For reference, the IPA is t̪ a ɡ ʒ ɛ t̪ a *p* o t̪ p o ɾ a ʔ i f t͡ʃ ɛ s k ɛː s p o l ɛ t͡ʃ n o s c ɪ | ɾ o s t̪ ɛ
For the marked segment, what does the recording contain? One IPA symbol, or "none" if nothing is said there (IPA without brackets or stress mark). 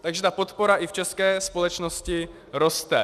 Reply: p